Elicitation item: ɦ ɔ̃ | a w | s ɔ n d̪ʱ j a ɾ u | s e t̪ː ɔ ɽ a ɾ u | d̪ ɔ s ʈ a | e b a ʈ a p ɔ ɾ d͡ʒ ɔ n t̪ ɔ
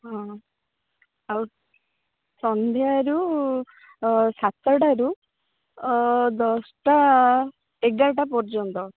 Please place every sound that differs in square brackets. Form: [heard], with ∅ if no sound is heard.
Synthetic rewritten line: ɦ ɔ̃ | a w | s ɔ n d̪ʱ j a ɾ u | s [a] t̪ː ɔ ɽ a ɾ u | d̪ ɔ s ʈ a | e [ɡ] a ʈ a p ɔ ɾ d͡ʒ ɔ n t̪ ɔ